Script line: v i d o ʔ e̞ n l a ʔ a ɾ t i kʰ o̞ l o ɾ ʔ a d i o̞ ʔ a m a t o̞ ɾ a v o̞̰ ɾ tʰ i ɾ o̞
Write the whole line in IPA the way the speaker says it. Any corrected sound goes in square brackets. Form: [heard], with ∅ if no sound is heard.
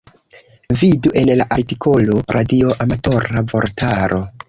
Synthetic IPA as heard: v i d [u] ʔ e̞ n l a ʔ a ɾ t i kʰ o̞ l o ɾ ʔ a d i o̞ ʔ a m a t o̞ ɾ a v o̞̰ ɾ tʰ [a] ɾ o̞